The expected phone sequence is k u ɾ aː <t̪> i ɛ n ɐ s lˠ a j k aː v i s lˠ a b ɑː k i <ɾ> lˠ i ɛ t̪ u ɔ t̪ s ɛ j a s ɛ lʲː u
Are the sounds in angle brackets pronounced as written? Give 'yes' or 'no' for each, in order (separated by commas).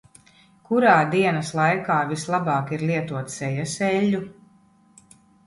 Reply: no, yes